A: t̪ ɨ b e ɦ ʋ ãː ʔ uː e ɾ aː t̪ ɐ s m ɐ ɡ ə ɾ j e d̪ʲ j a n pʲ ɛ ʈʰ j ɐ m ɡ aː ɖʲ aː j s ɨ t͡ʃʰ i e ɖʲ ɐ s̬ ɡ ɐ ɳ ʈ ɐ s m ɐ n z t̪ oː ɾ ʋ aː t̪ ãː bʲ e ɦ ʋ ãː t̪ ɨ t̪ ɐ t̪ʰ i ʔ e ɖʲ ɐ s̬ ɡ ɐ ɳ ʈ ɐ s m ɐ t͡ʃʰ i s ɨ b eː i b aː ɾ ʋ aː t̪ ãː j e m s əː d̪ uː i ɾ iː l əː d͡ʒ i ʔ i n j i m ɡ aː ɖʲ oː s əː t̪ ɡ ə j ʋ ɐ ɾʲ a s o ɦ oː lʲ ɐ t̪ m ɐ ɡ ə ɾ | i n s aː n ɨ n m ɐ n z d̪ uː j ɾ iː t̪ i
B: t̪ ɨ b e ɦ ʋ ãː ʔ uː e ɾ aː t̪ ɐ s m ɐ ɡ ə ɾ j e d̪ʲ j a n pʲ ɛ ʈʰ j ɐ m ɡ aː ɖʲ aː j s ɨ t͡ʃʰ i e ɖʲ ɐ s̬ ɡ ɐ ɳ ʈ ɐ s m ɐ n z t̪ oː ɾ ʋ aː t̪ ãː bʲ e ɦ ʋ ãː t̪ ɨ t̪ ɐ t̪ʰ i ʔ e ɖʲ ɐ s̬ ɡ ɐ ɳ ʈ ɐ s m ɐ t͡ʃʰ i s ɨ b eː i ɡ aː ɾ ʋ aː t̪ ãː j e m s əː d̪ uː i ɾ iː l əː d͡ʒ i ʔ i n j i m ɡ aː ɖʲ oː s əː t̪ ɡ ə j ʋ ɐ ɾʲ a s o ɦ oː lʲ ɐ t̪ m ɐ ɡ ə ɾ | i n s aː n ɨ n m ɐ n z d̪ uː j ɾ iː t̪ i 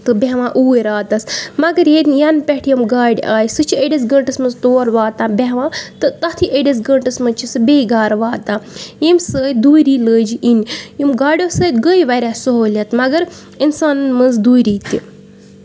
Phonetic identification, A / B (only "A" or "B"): B